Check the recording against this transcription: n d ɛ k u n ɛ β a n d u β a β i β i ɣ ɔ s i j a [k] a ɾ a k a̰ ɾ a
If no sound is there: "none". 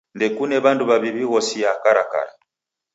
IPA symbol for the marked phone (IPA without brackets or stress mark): k